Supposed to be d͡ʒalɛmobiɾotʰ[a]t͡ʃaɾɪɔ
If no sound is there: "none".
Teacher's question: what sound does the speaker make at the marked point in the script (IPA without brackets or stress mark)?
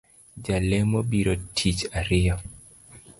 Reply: i